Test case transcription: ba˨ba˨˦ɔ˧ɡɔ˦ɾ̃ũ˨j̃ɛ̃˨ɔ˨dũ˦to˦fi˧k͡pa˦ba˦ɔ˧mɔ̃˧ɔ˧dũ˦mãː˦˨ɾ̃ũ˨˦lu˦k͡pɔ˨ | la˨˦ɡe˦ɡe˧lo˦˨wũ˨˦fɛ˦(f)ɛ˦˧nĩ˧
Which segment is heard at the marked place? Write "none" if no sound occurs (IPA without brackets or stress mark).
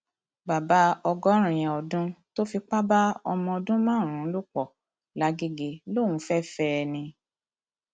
f